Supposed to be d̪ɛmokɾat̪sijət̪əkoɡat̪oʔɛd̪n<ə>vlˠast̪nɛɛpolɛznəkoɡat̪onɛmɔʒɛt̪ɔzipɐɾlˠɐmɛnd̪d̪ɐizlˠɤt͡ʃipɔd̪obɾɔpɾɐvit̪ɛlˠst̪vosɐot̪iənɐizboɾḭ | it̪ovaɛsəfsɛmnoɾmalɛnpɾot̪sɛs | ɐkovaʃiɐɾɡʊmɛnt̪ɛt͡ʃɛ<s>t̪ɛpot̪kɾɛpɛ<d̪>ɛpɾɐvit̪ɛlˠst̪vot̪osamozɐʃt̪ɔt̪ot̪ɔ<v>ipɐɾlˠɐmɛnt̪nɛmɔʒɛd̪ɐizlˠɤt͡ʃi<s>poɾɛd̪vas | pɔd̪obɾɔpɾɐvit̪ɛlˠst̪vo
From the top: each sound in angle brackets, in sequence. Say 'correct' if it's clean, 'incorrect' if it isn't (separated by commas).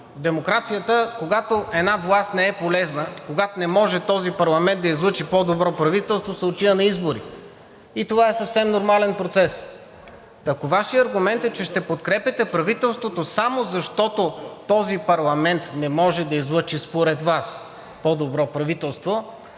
incorrect, incorrect, incorrect, incorrect, correct